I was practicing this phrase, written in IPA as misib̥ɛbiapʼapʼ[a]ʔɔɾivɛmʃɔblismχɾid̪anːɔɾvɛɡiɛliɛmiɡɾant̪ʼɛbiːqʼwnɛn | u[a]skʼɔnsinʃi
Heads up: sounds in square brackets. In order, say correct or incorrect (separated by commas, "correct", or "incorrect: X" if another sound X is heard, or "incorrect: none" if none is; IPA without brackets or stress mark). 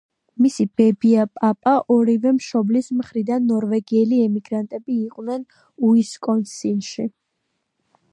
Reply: correct, incorrect: i